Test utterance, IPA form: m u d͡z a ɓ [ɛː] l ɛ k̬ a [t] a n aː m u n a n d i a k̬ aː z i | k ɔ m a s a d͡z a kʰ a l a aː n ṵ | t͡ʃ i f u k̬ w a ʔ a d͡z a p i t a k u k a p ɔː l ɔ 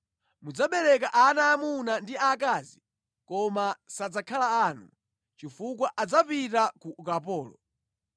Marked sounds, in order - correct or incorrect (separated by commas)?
incorrect, incorrect